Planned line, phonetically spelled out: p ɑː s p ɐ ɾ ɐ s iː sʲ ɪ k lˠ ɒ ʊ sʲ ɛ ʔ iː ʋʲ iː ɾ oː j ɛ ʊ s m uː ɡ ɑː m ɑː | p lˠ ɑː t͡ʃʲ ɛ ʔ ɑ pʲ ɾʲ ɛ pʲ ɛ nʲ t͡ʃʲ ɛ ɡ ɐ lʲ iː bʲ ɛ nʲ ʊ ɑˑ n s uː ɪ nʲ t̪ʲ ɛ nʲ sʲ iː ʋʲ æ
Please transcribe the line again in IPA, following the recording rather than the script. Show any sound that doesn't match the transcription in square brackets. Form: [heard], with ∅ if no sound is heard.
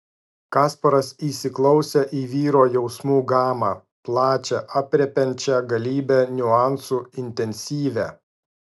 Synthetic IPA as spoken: [k] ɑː s p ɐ ɾ ɐ s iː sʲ ɪ k lˠ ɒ ʊ sʲ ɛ ʔ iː ʋʲ iː ɾ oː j ɛ ʊ s m uː ɡ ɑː m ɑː | p lˠ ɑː t͡ʃʲ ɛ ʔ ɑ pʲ ɾʲ ɛ pʲ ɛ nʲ t͡ʃʲ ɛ ɡ ɐ lʲ iː bʲ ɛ nʲ ʊ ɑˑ n s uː ɪ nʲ t̪ʲ ɛ nʲ sʲ iː ʋʲ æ